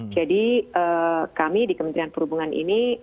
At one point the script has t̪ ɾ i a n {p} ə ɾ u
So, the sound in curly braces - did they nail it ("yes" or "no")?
yes